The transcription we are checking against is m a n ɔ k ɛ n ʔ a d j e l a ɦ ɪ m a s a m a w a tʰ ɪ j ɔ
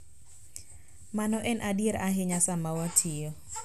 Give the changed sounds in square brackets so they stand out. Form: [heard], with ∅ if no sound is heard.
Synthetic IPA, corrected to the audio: m a n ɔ [ʔ] ɛ n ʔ a d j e [ɾ] a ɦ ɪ [ɲ] a s a m a w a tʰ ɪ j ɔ